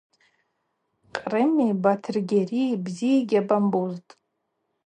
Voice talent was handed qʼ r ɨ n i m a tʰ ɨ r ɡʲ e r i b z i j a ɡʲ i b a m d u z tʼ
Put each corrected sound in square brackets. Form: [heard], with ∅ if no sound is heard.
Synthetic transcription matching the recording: qʼ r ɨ [m] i [b] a tʰ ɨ r ɡʲ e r i b z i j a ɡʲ [a] b a m [b] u z tʼ